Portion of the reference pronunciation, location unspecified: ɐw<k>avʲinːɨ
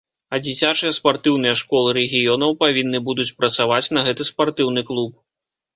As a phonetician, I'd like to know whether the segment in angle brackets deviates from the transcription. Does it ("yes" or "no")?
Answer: yes